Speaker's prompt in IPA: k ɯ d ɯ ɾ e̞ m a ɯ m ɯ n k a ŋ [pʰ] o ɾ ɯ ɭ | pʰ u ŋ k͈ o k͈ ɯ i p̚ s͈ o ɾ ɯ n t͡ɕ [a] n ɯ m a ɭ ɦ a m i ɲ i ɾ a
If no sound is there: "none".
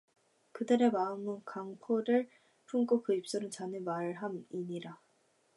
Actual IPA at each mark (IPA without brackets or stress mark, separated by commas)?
pʰ, a